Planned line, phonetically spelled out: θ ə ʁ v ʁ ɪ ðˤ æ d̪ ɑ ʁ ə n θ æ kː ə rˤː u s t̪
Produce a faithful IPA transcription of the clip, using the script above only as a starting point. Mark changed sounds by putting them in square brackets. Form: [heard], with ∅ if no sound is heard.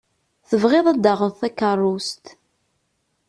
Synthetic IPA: θ ə [∅] v ʁ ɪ ðˤ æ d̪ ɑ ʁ ə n θ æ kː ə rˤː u s t̪